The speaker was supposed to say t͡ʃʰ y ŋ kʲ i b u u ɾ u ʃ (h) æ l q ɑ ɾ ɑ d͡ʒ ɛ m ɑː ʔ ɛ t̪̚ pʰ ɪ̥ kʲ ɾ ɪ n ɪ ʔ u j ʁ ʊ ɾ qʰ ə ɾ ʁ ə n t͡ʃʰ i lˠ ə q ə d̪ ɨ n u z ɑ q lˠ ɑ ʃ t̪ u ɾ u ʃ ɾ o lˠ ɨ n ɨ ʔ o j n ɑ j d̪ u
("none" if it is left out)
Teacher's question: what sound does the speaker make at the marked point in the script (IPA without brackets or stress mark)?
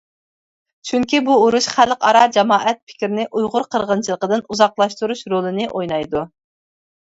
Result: χ